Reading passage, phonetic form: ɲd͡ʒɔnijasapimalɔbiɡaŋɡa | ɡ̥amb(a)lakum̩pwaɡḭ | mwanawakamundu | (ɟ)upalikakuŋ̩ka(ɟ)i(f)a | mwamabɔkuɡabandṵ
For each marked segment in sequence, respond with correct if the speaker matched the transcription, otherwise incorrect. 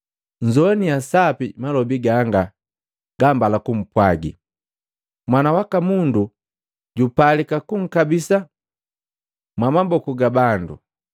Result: correct, correct, incorrect, incorrect

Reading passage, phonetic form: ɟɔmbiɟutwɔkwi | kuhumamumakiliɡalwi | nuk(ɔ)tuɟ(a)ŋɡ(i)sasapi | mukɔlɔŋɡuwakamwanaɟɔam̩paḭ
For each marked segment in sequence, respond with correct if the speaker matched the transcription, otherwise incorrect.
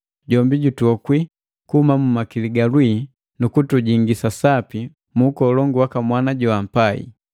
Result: incorrect, incorrect, correct

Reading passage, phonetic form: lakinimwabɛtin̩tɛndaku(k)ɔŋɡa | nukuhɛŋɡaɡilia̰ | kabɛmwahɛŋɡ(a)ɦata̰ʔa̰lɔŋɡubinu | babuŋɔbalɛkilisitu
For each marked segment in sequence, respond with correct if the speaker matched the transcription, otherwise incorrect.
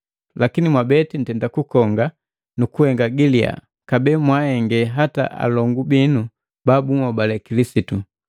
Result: correct, incorrect

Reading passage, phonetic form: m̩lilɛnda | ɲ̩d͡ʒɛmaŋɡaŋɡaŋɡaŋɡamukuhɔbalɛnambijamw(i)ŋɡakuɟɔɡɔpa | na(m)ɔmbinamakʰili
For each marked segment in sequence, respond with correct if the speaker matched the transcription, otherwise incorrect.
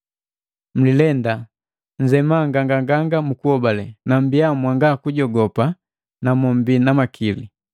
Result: incorrect, correct

